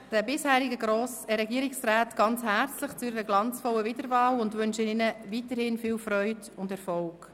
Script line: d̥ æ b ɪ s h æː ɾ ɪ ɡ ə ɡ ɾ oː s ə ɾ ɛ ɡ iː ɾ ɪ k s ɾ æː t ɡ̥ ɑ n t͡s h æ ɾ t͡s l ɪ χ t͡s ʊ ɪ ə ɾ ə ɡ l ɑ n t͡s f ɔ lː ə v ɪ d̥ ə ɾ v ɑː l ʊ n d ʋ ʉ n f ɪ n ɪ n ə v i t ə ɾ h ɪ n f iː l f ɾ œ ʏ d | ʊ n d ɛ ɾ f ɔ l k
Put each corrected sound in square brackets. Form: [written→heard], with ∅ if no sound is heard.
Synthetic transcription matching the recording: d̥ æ b ɪ s h æː ɾ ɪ ɡ ə ɡ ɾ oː s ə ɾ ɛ ɡ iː ɾ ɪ k s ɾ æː t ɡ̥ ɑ n t͡s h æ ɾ t͡s l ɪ χ t͡s ʊ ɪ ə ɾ ə ɡ l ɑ n t͡s f ɔ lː ə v ɪ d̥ ə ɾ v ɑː l ʊ n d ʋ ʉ n [f→ʃ] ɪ n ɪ n ə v i t ə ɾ h ɪ n f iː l f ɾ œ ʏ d | ʊ n d ɛ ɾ f ɔ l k